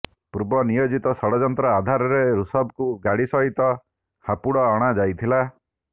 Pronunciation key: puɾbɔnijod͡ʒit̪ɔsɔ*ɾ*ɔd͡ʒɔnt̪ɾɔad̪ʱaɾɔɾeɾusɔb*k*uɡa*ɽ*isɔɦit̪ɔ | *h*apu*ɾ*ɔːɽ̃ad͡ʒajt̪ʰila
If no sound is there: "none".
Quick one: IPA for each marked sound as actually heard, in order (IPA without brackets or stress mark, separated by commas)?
ɽ, k, ɽ, h, ɽ